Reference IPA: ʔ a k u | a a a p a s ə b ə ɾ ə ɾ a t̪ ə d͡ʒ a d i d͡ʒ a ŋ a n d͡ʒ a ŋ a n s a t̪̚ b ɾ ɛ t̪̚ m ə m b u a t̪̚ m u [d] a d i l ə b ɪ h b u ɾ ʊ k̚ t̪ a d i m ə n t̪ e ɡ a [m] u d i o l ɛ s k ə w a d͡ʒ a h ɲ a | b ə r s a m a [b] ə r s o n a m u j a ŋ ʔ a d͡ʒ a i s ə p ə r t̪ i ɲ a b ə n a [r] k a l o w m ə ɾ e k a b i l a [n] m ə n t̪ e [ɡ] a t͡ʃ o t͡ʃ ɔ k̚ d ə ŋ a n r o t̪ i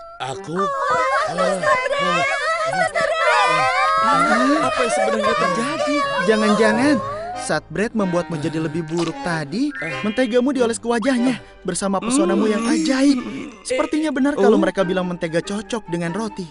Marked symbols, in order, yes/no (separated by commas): no, yes, no, yes, no, yes